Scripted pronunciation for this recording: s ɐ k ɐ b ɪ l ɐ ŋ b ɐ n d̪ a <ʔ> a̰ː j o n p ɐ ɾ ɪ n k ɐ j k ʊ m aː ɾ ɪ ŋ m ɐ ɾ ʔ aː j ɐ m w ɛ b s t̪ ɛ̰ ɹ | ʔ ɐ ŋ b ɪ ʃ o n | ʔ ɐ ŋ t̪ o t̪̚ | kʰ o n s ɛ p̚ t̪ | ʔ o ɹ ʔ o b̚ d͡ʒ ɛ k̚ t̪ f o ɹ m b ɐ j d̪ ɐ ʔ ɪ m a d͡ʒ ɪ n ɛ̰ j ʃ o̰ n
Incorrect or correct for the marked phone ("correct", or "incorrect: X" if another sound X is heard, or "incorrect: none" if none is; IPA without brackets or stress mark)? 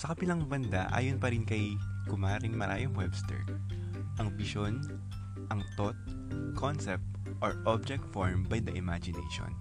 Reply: correct